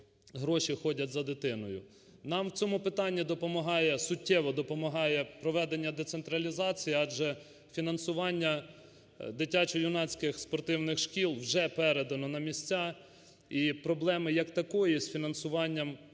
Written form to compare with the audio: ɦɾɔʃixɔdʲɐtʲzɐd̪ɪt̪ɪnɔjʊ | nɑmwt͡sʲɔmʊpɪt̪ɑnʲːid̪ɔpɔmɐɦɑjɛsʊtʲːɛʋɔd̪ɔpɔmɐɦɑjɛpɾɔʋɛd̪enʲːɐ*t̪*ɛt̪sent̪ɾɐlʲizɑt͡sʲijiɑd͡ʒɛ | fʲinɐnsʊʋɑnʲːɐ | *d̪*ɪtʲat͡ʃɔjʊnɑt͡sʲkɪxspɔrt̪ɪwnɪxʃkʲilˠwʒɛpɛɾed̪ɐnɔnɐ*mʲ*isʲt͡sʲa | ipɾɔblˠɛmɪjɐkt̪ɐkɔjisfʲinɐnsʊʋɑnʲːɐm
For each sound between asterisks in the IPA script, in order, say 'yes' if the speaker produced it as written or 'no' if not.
no, yes, yes

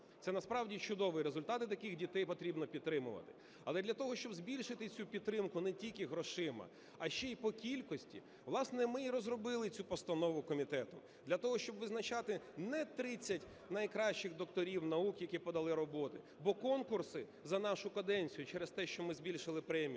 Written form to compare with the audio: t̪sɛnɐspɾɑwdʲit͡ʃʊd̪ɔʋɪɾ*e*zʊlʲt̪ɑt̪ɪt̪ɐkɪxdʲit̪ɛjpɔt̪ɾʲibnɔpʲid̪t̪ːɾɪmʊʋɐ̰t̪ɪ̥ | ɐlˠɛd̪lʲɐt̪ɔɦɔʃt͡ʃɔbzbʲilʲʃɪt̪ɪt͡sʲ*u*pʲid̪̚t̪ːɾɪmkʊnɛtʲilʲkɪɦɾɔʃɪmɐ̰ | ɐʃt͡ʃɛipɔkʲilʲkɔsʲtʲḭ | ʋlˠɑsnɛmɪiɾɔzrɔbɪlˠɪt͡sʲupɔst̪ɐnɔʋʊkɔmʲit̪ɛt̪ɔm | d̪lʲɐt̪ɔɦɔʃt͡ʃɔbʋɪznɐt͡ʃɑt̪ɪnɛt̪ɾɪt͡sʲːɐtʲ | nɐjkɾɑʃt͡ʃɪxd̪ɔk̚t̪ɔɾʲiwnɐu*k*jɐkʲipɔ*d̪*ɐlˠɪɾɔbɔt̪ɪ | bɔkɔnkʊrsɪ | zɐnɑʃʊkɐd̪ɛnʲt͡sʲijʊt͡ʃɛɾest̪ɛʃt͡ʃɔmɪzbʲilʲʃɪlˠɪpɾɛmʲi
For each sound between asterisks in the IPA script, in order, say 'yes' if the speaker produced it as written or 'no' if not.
yes, yes, yes, yes

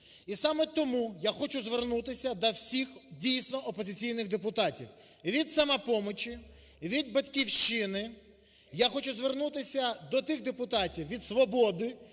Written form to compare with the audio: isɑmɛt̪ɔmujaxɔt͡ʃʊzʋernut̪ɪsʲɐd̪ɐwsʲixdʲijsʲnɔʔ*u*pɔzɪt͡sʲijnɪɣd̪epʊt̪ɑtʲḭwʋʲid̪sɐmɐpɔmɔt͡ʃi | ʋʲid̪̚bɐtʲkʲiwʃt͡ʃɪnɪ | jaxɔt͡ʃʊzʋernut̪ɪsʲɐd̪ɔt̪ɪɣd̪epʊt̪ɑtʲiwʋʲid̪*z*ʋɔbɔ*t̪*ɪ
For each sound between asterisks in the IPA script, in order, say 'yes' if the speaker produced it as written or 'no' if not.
no, no, no

